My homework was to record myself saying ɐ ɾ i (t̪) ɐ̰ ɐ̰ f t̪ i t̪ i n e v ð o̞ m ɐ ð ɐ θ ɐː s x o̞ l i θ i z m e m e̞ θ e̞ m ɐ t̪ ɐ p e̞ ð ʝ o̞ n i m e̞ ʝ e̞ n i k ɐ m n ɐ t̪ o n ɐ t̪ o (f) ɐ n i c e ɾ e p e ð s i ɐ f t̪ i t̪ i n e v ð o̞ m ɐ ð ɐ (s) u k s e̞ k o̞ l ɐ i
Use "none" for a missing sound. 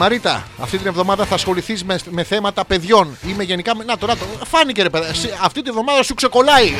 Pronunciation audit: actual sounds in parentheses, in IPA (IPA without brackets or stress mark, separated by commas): t̪, f, s